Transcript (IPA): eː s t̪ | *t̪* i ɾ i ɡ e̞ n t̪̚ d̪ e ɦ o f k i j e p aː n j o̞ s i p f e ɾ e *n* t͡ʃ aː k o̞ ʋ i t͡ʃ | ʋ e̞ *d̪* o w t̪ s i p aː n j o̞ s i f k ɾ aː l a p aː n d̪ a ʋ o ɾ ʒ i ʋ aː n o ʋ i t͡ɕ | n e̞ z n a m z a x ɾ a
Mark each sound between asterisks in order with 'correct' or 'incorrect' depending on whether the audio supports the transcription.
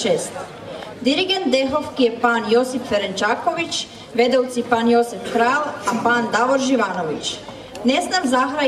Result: incorrect: d̪, correct, correct

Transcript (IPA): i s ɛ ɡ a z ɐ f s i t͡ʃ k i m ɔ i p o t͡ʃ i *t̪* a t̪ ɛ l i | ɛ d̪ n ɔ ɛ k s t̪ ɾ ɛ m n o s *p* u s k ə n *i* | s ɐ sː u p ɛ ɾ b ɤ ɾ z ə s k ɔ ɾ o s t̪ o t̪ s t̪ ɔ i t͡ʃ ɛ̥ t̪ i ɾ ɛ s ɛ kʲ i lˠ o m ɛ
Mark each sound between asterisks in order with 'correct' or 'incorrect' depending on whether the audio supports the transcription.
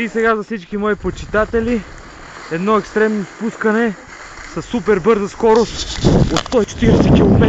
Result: correct, correct, incorrect: ɛ

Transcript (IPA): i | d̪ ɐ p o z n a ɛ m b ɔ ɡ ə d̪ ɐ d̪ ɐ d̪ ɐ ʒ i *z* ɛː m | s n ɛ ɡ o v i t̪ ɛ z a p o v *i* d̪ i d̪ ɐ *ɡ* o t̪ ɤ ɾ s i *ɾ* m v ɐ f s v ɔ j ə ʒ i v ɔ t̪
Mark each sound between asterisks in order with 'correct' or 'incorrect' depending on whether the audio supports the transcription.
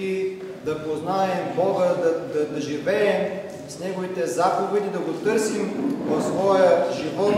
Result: incorrect: v, incorrect: ɛ, correct, incorrect: none

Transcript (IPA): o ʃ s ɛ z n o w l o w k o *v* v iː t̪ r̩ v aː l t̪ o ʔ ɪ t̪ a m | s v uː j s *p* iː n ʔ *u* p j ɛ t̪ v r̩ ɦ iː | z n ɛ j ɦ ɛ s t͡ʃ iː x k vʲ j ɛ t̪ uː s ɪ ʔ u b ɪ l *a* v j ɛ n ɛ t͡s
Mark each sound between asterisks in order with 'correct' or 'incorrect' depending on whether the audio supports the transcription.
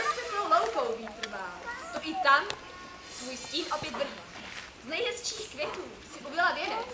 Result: incorrect: w, incorrect: c, incorrect: o, correct

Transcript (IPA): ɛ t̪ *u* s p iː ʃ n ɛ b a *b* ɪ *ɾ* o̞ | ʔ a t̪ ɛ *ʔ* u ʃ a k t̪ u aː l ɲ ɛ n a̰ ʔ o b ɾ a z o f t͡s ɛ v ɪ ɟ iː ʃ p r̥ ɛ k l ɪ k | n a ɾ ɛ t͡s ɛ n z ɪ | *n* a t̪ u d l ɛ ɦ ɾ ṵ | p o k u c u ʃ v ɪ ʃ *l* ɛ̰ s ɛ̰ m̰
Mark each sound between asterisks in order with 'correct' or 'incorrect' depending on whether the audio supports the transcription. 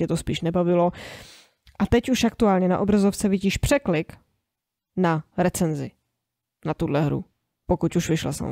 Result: incorrect: o, incorrect: v, incorrect: l, incorrect: c, correct, correct

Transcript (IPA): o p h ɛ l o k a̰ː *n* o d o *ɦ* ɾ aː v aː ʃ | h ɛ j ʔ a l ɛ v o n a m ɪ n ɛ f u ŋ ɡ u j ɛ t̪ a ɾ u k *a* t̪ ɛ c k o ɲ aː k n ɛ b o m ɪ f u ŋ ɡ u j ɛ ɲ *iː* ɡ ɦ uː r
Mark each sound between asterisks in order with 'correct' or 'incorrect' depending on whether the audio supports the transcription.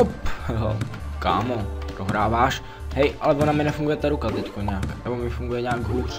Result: incorrect: m, correct, correct, incorrect: aː

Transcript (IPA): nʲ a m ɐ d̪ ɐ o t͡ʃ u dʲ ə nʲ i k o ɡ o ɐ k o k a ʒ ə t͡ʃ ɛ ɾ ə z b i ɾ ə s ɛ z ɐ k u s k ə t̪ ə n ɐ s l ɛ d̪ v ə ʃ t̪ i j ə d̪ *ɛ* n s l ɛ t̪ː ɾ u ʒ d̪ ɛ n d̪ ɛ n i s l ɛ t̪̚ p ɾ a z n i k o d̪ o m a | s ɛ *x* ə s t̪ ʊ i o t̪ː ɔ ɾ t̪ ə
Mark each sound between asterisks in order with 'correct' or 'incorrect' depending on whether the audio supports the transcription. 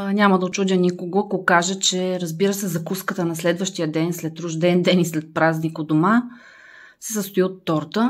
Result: correct, incorrect: s

